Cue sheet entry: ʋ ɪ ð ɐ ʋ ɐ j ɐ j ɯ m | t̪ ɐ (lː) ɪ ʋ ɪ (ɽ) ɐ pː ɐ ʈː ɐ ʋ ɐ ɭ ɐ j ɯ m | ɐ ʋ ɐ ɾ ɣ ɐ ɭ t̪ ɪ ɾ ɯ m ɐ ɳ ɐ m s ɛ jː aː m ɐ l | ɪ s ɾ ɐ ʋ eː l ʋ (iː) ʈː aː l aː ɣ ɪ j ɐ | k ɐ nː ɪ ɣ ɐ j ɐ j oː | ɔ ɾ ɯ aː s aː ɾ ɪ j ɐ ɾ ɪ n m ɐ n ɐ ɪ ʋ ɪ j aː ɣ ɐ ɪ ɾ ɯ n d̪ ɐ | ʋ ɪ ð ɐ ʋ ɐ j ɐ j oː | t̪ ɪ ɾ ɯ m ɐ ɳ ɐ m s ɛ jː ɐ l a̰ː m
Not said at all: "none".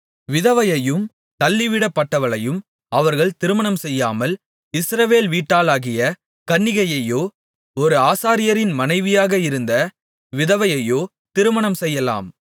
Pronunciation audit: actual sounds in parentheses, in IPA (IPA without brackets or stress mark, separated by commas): lː, ɽ, iː